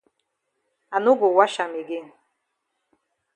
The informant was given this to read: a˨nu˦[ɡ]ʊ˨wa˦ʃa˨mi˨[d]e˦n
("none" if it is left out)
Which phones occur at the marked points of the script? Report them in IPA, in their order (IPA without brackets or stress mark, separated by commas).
ɡ, ɡ